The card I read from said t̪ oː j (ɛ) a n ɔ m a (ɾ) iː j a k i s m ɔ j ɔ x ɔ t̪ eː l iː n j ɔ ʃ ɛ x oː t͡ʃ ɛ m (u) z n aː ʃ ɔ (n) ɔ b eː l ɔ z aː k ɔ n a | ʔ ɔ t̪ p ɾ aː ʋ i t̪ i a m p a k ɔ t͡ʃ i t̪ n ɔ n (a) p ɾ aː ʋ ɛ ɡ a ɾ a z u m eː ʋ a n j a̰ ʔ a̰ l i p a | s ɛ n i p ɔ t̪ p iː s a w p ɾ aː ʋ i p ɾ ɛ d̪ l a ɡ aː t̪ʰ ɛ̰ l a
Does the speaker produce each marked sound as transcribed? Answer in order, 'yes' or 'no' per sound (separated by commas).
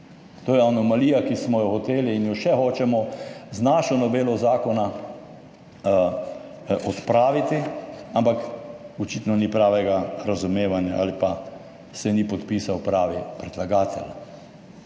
yes, no, no, yes, no